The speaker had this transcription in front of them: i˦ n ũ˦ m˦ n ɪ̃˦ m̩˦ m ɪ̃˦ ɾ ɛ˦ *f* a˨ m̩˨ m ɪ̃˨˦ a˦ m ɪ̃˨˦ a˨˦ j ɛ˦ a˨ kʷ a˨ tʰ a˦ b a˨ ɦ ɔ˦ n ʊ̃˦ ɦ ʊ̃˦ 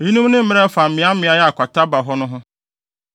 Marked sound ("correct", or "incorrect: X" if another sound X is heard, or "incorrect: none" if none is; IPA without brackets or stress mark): correct